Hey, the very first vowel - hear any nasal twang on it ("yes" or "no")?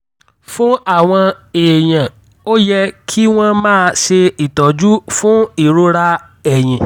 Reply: yes